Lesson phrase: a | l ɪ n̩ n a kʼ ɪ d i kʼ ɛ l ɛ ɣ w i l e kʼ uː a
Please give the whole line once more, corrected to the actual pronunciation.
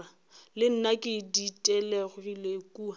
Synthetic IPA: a | l ɪ n̩ n a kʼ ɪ d i tʼ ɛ l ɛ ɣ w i l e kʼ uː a

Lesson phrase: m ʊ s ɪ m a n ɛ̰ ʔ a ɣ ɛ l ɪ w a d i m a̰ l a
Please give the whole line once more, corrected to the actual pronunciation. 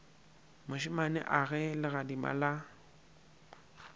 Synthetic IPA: m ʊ ʃ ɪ m a n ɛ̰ ʔ a ɣ ɛ l ɪ ɣ a d i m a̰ l a

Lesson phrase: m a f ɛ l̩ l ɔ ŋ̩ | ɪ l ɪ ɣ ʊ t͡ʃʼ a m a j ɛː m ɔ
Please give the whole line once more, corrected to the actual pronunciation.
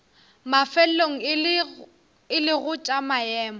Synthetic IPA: m a f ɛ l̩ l o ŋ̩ | ɪ l ɪ ɣ ʊ t͡ʃʼ a m a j ɛː m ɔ

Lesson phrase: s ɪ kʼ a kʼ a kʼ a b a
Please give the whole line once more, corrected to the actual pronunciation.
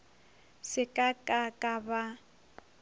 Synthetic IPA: s ɪ kʼ a kʼ a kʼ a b a

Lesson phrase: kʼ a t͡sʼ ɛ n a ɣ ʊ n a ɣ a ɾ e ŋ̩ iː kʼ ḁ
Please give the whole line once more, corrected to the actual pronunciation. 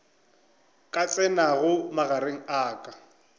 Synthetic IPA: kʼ a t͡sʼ ɛ n a ɣ ʊ m a ɣ a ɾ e ŋ̩ aː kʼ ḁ

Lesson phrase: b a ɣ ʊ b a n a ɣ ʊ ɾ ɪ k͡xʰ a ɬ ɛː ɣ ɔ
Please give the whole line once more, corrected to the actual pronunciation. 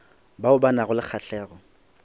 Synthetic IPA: b a ʊ b a n a ɣ ʊ l ɪ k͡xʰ a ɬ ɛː ɣ ɔ

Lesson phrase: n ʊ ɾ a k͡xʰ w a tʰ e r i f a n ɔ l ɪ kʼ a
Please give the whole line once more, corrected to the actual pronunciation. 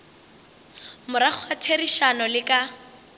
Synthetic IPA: m ʊ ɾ a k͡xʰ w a tʰ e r i ʃ a n ɔ l ɪ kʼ a

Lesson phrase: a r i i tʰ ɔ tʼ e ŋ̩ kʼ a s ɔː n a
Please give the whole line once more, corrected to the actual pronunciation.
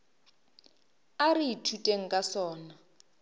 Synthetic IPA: a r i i tʰ u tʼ e ŋ̩ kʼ a s ɔː n a

